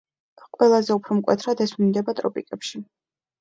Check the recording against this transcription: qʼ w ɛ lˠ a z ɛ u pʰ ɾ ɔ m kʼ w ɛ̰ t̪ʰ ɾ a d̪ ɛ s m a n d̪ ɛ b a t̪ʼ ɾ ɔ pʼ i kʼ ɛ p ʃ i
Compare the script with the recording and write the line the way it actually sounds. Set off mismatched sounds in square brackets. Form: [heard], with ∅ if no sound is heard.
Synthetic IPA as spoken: qʼ w ɛ lˠ a z ɛ u pʰ ɾ ɔ m kʼ w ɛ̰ t̪ʰ ɾ a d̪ ɛ s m [i] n d̪ ɛ b a t̪ʼ ɾ ɔ pʼ i kʼ ɛ p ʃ i